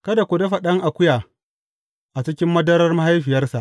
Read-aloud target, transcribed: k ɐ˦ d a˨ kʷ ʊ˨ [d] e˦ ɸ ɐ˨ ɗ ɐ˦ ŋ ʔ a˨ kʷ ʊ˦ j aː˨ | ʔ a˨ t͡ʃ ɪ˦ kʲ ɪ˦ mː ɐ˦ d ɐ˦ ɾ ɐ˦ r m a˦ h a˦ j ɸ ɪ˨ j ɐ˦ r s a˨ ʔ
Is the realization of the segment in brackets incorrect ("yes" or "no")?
no